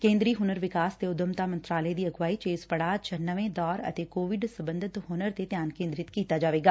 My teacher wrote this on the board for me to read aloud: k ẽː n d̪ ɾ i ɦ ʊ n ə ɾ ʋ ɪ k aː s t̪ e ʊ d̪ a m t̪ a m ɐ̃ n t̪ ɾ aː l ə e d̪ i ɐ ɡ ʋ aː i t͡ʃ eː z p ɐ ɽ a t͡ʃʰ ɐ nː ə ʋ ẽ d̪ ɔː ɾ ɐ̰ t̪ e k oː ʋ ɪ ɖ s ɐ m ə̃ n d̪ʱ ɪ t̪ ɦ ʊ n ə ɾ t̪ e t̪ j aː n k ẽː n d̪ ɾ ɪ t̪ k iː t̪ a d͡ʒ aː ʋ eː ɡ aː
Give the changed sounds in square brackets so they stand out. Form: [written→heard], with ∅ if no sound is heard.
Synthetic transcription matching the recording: k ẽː n d̪ ɾ i ɦ ʊ n ə ɾ ʋ ɪ k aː s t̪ e ʊ d̪ [a→ə] m t̪ a m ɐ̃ n t̪ ɾ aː l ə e d̪ i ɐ ɡ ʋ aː i t͡ʃ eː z p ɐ ɽ a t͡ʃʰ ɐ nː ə ʋ ẽ d̪ ɔː ɾ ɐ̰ t̪ e k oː ʋ ɪ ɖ s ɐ [m→b] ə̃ n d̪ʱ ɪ t̪ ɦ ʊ n ə ɾ t̪ e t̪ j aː n k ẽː n d̪ ɾ ɪ t̪ k iː t̪ a d͡ʒ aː ʋ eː ɡ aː